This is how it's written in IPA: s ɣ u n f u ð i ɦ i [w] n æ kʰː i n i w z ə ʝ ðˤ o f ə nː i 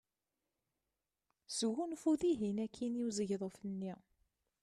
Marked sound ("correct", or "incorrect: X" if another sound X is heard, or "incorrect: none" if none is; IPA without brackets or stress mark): incorrect: none